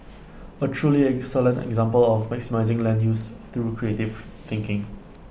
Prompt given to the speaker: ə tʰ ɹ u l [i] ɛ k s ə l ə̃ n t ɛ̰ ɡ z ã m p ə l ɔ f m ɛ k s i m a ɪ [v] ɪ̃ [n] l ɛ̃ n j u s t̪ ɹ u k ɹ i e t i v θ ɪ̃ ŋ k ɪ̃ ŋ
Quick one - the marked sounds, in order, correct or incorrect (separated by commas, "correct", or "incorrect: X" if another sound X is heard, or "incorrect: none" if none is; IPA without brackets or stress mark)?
correct, incorrect: z, incorrect: ŋ